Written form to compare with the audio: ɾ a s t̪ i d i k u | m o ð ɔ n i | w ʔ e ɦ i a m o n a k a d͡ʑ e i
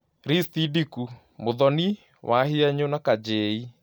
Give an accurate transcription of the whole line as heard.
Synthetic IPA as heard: ɾ i s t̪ i d i k u | m o ð ɔ n i | w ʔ a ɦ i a ɲ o n a k a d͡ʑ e i